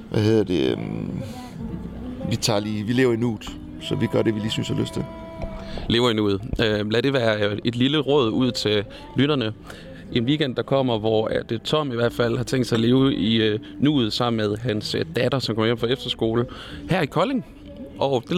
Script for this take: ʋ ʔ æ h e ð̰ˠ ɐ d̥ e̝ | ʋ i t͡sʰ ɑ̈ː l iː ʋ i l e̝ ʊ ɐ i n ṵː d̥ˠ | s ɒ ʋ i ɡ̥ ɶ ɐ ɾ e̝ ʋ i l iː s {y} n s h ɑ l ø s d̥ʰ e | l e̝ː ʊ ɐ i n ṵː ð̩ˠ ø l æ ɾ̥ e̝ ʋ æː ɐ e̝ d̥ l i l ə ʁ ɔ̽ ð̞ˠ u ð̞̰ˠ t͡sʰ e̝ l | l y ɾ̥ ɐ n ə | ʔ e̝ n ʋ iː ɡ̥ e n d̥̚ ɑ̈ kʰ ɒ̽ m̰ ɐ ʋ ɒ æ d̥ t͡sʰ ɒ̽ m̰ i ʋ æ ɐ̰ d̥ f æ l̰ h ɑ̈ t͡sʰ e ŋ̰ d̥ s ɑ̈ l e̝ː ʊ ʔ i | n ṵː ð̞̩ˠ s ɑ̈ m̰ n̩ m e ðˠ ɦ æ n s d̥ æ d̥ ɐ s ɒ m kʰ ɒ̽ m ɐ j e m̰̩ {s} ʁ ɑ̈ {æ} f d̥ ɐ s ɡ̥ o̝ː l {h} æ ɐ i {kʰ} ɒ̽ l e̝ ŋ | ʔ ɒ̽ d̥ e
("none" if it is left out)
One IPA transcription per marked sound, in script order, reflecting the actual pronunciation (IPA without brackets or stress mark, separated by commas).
y, f, e, h, kʰ